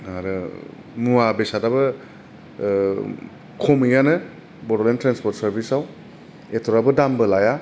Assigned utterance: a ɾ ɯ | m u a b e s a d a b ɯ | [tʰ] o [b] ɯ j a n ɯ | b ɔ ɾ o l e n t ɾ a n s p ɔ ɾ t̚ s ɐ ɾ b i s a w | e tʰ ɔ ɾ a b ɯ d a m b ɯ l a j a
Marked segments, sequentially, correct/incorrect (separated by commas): incorrect, incorrect